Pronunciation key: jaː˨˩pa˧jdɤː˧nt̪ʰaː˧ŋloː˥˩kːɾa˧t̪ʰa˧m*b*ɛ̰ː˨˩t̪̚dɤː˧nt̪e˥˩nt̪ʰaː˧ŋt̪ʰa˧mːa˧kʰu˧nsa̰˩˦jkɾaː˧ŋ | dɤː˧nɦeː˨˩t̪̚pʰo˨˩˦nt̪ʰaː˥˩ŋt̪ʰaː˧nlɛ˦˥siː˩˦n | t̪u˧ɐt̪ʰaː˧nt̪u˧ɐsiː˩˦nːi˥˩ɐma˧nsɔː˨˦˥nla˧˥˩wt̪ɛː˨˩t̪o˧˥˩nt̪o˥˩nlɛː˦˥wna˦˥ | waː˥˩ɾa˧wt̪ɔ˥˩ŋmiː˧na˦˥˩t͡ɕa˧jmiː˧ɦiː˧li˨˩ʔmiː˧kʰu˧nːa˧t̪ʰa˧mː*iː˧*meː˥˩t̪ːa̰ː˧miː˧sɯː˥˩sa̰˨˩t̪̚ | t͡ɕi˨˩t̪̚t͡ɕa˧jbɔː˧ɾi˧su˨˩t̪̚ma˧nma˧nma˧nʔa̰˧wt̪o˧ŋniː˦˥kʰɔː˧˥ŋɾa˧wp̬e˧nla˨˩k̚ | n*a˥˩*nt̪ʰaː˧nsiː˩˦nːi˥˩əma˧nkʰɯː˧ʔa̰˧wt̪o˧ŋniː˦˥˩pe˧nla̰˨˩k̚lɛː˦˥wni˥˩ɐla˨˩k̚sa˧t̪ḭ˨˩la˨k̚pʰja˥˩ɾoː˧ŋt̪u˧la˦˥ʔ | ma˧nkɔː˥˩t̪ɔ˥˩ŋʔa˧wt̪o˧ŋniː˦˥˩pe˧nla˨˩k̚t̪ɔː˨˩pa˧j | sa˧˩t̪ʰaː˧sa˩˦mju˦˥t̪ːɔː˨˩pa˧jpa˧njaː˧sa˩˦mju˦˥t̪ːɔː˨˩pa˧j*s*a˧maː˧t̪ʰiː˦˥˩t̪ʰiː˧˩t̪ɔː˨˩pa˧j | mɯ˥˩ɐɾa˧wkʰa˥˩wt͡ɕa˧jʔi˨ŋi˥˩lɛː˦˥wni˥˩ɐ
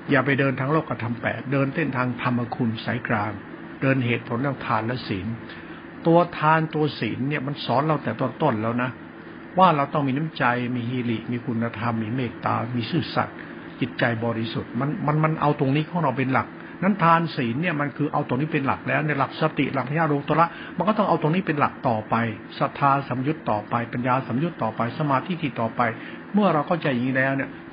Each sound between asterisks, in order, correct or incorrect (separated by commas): incorrect, correct, incorrect, correct